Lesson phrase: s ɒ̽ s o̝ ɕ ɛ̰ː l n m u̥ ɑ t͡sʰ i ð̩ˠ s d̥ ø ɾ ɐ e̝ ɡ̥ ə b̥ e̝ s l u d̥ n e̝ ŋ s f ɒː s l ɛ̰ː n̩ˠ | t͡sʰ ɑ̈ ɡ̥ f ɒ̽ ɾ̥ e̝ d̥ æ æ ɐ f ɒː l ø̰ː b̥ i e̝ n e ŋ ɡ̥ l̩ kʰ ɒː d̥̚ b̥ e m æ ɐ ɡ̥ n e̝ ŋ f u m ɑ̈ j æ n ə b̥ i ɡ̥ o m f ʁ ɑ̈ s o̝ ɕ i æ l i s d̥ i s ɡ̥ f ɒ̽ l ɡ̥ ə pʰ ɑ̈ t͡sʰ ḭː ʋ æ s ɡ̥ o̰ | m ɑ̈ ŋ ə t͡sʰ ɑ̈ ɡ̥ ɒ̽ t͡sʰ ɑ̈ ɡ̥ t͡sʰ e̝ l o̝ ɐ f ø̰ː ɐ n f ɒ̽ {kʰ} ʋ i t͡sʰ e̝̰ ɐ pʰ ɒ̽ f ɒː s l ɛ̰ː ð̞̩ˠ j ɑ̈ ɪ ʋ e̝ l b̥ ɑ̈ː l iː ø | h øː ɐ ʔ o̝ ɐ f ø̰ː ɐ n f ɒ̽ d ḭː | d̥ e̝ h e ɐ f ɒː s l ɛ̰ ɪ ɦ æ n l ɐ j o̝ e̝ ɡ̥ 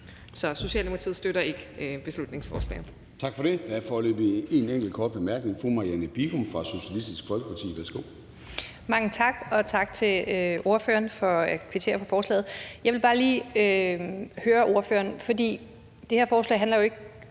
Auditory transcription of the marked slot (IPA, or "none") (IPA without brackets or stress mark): kʰ